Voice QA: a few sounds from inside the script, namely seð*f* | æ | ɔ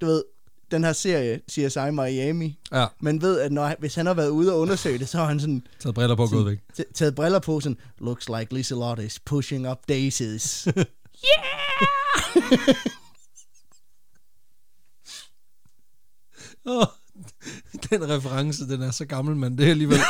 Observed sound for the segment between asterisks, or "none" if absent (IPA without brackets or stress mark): s